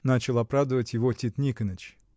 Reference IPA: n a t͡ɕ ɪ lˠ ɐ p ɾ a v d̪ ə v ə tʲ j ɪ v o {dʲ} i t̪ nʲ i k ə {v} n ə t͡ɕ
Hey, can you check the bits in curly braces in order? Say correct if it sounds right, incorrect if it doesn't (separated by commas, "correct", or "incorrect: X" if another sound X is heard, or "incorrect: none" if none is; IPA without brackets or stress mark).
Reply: incorrect: tʲ, incorrect: none